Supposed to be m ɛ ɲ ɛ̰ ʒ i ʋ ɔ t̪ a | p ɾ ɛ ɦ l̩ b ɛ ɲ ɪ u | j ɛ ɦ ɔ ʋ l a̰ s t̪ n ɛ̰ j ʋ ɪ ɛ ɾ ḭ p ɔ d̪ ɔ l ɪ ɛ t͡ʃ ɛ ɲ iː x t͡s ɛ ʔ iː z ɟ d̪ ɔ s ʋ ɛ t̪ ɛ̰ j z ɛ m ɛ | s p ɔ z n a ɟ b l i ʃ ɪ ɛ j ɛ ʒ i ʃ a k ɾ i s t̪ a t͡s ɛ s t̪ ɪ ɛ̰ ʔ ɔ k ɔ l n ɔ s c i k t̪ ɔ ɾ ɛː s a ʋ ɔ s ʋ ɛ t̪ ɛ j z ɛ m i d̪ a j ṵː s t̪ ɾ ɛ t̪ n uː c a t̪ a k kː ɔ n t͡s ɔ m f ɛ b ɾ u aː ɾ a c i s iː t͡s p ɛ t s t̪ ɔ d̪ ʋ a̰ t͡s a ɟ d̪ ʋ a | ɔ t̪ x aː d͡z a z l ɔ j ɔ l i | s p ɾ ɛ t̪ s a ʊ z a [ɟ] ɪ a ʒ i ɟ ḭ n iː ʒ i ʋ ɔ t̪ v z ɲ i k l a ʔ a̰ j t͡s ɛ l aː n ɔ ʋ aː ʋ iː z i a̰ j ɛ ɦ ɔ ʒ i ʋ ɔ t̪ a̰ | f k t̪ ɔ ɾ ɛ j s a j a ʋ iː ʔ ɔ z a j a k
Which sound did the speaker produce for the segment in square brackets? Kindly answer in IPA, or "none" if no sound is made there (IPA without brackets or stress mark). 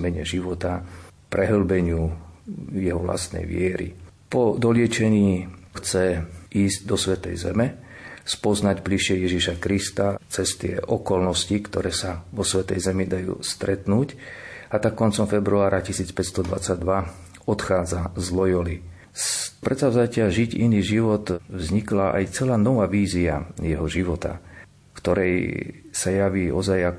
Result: c